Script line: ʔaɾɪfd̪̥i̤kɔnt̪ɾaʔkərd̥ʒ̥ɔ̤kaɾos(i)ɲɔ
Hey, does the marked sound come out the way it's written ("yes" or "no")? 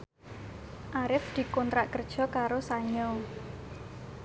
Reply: no